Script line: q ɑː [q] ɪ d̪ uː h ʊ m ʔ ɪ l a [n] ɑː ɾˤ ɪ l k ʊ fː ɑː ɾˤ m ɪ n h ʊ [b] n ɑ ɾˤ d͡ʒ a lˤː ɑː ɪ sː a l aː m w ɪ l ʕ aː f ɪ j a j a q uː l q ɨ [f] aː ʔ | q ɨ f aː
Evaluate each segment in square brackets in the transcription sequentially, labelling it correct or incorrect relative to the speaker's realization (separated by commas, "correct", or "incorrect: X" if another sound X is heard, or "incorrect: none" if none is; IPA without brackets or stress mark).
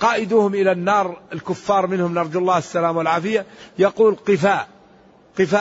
incorrect: ʔ, incorrect: nː, incorrect: m, correct